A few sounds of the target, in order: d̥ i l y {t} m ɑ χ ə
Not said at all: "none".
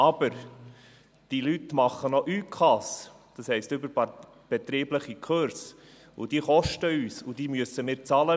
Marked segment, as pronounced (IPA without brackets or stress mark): t